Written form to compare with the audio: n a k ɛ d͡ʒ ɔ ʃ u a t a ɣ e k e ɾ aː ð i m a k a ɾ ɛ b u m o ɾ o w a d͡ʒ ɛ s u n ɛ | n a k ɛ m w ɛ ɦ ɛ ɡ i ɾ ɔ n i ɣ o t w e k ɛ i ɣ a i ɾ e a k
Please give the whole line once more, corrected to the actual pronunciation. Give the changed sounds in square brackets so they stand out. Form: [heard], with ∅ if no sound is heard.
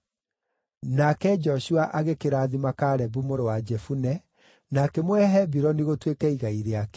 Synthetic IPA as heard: n a k ɛ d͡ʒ ɔ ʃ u a [ʔ] a ɣ e k e ɾ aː ð i m a k a ɾ ɛ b u m o ɾ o w a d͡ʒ ɛ [f] u n ɛ | n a k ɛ m w ɛ ɦ ɛ [b] i ɾ ɔ n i ɣ o t w e k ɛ i ɣ a i ɾ e a k